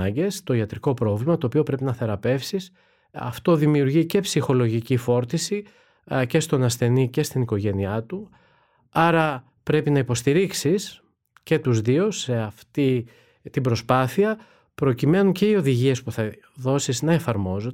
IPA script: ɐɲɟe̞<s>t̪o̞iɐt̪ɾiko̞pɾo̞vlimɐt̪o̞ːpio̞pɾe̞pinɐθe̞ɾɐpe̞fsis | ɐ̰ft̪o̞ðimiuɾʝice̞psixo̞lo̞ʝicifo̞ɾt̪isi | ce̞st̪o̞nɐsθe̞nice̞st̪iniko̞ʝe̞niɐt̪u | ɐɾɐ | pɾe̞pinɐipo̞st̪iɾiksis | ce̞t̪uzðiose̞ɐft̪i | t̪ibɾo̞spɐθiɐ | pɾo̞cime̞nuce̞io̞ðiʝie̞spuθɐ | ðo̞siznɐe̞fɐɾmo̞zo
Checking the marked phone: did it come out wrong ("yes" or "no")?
no